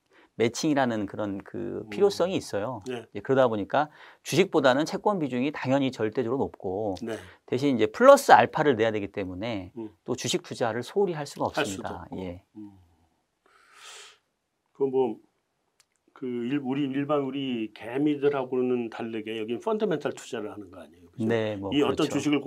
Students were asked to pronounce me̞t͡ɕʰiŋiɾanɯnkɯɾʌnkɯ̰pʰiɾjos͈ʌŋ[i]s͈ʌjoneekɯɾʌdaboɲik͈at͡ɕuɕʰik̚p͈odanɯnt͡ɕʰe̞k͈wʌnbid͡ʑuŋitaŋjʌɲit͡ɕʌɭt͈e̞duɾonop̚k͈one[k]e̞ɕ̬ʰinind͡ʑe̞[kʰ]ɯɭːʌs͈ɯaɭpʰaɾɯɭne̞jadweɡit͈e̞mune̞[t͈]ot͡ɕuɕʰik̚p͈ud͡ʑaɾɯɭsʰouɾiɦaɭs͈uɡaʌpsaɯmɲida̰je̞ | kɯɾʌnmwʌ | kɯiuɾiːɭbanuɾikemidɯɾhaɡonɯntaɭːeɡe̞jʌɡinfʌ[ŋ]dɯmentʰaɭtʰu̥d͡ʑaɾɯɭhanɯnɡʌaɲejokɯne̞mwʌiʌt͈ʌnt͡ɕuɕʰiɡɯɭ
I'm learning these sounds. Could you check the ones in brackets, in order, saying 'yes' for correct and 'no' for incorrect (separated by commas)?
no, no, no, yes, no